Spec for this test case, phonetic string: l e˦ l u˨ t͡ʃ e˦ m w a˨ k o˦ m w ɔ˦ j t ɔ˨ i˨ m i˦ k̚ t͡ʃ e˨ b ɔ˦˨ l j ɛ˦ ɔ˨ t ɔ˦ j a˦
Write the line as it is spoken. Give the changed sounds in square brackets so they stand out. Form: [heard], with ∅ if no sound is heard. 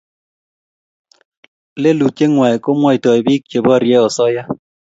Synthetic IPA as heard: l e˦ l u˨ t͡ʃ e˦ [ŋ] w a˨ k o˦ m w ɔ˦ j t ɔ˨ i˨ [b] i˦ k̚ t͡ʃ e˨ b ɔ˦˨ [ɾ] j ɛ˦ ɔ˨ [s] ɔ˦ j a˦